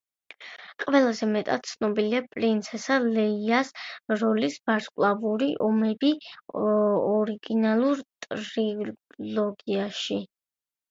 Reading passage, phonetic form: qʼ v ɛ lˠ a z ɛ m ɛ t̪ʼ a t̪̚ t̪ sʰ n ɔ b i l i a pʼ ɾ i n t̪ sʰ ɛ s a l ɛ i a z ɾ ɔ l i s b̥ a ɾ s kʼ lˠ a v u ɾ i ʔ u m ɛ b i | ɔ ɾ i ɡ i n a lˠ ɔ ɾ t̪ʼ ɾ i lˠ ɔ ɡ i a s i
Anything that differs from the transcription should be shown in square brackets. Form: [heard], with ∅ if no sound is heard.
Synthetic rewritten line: qʼ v ɛ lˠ a z ɛ m ɛ t̪ʼ a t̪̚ t̪ sʰ n ɔ b i l i a pʼ ɾ i n t̪ sʰ ɛ s a l ɛ i a [s] ɾ ɔ l i s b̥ a ɾ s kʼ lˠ a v u ɾ i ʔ [ɔ] m ɛ b i | ɔ ɾ i ɡ i n a lˠ [u] ɾ t̪ʼ ɾ i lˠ ɔ ɡ i a [ʃ] i